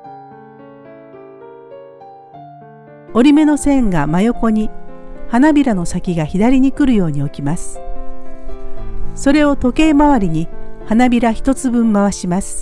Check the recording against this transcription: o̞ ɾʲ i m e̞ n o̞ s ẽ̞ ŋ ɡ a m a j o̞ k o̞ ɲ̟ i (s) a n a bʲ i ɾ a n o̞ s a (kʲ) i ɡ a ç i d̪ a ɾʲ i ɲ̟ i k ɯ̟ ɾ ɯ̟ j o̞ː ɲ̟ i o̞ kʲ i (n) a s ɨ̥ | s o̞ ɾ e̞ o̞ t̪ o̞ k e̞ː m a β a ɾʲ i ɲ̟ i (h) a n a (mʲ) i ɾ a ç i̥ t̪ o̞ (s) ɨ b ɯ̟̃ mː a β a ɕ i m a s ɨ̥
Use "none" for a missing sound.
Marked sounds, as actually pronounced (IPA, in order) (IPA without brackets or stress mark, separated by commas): h, kʲ, m, h, bʲ, t͡s